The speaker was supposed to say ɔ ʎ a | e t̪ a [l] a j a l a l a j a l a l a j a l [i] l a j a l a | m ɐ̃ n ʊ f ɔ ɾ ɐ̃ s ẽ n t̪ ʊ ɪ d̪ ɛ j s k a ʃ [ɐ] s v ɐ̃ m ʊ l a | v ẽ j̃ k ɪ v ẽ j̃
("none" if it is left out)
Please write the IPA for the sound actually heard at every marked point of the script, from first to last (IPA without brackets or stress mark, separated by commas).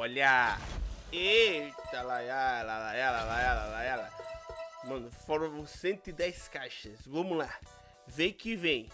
l, a, ɐ